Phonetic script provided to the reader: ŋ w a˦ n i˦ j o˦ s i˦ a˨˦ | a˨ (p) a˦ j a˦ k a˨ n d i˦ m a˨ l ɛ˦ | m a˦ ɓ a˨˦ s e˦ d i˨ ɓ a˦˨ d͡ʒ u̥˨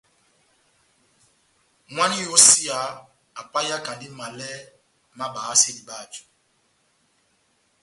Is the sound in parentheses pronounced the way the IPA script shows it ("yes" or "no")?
yes